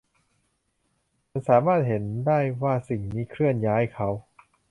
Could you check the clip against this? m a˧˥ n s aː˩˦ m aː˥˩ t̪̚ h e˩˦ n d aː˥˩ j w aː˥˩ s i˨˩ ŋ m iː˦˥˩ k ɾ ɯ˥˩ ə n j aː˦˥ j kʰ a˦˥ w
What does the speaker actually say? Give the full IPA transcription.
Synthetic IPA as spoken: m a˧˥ n s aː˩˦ m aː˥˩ t̪̚ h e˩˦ n d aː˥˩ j w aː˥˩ s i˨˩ ŋ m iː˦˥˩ kʰ ɾ ɯ˥˩ ə n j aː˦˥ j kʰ a˦˥ w